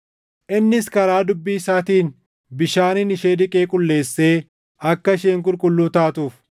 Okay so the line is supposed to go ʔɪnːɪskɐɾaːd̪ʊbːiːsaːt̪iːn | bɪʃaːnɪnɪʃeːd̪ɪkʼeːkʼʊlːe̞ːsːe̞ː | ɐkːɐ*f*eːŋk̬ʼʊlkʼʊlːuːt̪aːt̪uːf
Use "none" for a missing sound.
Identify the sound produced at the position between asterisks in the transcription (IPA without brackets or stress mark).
ʃ